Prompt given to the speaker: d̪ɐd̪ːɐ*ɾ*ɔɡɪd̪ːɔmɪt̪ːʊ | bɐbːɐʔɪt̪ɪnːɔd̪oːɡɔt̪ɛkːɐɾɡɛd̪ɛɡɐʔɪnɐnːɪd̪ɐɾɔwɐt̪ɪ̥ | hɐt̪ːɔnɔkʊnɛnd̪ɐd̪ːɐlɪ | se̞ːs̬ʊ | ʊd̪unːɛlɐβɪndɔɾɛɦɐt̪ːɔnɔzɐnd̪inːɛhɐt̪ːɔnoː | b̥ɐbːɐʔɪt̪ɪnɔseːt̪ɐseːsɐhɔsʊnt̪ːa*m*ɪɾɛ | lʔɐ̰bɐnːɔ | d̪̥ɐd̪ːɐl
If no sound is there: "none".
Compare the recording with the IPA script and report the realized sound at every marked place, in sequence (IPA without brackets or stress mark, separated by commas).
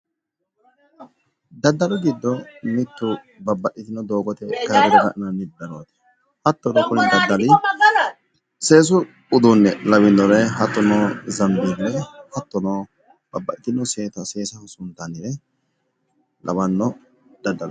l, n